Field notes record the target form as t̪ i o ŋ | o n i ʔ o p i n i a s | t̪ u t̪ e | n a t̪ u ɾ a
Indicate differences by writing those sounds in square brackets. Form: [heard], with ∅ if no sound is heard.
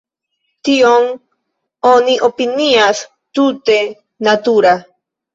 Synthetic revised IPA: t̪ i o ŋ | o n i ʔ o p i n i a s | t̪ u t̪ e | n a t̪ u ɾ a